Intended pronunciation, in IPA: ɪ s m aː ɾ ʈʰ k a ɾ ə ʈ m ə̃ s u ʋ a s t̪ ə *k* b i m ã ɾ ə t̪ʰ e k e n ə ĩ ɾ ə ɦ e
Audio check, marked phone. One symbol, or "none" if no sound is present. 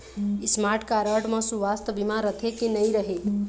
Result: none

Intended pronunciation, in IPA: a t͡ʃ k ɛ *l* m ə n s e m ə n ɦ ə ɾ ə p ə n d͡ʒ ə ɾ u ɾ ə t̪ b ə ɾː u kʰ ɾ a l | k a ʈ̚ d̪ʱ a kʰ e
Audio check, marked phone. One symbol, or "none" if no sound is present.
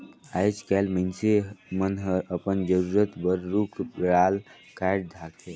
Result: l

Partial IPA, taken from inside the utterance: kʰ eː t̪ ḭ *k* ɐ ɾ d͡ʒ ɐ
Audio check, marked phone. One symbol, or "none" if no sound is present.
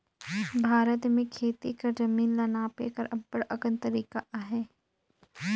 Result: k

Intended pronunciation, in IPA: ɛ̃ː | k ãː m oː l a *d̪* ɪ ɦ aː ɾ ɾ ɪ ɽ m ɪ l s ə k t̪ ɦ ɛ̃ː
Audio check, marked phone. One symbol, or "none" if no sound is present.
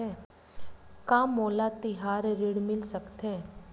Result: t̪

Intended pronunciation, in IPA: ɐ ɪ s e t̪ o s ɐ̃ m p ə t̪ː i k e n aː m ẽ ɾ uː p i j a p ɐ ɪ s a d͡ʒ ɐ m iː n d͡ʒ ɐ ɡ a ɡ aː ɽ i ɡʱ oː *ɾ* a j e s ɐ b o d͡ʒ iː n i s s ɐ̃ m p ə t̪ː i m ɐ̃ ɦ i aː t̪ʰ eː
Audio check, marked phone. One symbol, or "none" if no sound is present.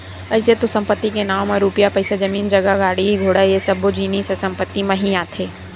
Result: ɽ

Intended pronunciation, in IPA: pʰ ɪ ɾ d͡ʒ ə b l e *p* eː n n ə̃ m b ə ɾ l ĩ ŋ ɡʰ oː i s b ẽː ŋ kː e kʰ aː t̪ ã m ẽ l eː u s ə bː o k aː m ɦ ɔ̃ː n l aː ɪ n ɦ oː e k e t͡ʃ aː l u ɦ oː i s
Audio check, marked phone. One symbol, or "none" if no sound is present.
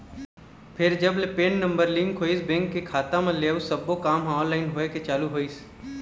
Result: p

